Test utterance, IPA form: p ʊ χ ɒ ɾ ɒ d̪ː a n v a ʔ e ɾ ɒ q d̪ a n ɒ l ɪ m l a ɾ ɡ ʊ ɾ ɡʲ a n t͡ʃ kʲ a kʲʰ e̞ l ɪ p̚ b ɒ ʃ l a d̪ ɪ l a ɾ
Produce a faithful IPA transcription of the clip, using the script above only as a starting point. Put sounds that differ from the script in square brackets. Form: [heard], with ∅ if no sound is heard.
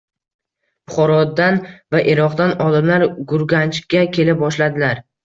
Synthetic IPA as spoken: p ʊ χ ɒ ɾ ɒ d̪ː a n v a ʔ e ɾ ɒ q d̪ a n ɒ l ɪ m l a ɾ ɡ ʊ ɾ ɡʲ a n t͡ʃ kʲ a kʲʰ e̞ l ɪ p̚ b ɒ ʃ l a d̪ ɪ l a ɾ